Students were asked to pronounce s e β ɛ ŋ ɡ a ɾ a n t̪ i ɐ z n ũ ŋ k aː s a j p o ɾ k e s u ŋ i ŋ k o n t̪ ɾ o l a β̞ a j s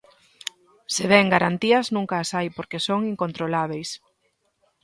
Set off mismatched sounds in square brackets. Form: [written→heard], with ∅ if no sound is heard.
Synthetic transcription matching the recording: s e β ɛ ŋ ɡ a ɾ a n t̪ i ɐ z n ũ ŋ k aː s a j p o ɾ k e s [u→o] ŋ i ŋ k o n t̪ ɾ o l a β̞ [a→e] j s